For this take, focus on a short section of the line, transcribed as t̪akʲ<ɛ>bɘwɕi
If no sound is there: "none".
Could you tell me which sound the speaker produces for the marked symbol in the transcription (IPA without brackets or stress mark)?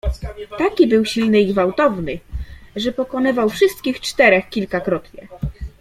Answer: i